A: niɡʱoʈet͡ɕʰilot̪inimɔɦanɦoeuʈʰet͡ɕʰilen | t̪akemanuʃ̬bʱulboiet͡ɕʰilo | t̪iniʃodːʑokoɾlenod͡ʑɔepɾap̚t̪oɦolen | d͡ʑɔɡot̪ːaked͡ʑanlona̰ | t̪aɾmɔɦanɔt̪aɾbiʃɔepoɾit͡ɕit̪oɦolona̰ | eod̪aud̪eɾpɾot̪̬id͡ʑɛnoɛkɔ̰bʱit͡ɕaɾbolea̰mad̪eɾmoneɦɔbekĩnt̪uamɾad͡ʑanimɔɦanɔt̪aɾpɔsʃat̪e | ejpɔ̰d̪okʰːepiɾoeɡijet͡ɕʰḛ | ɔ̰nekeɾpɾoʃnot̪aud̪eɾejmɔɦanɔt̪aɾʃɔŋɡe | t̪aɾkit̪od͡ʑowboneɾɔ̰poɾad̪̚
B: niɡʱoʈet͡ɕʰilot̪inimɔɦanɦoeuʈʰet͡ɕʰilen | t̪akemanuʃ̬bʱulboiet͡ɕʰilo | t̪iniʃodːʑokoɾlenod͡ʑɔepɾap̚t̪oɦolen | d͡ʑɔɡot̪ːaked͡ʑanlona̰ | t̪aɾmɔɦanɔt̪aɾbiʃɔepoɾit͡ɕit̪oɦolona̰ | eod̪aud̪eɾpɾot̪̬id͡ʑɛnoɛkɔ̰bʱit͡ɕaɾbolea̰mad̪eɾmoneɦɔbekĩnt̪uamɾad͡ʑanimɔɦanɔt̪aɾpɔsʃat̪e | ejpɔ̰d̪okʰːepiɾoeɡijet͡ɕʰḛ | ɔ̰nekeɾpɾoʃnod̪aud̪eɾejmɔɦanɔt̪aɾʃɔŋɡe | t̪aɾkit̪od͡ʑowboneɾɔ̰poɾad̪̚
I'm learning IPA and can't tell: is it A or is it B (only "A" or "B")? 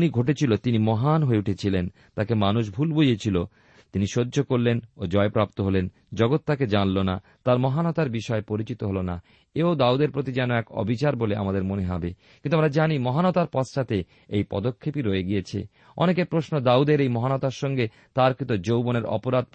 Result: B